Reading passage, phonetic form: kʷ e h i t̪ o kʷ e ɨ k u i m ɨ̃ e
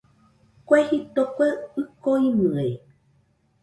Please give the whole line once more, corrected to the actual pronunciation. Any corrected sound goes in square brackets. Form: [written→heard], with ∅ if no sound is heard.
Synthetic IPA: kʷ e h i t̪ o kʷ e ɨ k [u→o] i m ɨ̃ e

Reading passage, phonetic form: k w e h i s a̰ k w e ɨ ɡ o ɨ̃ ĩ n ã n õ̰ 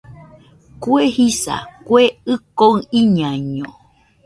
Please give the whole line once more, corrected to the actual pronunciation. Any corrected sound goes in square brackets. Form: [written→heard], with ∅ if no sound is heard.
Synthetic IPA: k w e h i s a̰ k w e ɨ [ɡ→k] o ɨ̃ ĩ [n→ɲ] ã [n→ɲ] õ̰

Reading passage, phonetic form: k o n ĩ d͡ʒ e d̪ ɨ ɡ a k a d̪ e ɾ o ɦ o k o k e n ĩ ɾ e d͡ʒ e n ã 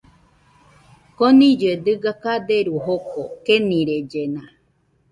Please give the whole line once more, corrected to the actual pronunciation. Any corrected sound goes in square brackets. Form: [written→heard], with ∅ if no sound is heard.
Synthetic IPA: k o n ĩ d͡ʒ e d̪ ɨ ɡ a k a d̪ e ɾ [o→u] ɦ o k o k e n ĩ ɾ e d͡ʒ e n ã

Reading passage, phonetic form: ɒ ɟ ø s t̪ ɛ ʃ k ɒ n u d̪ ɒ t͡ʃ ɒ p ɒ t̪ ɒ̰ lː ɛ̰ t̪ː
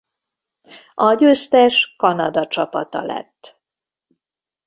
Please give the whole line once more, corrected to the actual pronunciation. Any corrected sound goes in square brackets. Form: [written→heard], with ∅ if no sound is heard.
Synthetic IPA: ɒ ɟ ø s t̪ ɛ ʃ k ɒ n [u→ɒ] d̪ ɒ t͡ʃ ɒ p ɒ t̪ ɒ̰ [lː→l] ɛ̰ t̪ː

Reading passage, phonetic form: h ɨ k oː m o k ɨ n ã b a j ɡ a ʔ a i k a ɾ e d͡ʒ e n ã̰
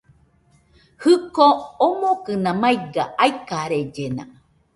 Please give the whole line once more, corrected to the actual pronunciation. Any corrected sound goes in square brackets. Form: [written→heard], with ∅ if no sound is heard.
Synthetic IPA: h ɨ k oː m o k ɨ n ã [b→m] a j ɡ a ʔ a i k a ɾ e d͡ʒ e n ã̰

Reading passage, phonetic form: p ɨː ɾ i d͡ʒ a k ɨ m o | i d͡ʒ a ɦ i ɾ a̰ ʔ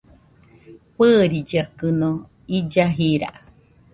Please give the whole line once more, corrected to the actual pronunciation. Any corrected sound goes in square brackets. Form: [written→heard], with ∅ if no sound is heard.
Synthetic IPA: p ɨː ɾ i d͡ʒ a k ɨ [m→n] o | i d͡ʒ a ɦ i ɾ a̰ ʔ

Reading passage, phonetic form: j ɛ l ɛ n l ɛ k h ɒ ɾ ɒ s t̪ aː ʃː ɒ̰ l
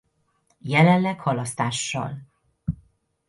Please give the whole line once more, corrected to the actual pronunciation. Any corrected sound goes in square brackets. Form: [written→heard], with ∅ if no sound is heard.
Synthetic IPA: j ɛ l ɛ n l ɛ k h ɒ [ɾ→l] ɒ s t̪ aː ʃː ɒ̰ l

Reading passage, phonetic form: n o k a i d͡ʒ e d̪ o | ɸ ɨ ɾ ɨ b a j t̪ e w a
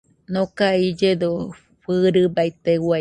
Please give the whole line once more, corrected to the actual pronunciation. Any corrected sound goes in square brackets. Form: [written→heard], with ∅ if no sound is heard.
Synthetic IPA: n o k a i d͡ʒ e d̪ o | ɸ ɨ ɾ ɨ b a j t̪ e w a

